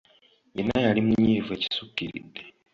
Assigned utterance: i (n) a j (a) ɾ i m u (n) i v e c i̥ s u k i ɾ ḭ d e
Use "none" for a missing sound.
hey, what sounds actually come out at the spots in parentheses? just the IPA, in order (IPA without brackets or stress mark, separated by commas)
n, a, ɲ